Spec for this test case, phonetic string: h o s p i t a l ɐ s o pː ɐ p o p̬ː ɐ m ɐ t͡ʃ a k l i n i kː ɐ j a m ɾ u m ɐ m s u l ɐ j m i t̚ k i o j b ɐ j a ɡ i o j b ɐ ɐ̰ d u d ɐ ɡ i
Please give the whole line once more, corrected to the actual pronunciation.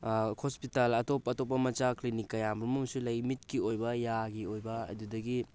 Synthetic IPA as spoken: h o s p i t a l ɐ t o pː ɐ t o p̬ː ɐ m ɐ t͡ʃ a k l i n i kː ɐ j a m ɾ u m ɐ m s u l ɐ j m i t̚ k i o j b ɐ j a ɡ i o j b ɐ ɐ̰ d u d ɐ ɡ i